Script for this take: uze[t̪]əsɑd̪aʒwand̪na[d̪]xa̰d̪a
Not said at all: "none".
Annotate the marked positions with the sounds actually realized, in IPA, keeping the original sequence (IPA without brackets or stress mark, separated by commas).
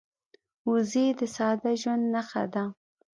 d̪, none